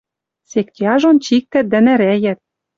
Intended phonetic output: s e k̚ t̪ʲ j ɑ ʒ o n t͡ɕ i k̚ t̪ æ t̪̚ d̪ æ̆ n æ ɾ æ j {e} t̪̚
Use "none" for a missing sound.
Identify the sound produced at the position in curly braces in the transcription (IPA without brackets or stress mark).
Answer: æ